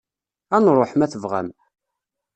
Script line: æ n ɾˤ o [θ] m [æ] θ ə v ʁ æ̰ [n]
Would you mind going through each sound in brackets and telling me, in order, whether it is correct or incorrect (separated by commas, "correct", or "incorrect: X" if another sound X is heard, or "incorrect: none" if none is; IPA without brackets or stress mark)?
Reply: incorrect: ħ, correct, incorrect: m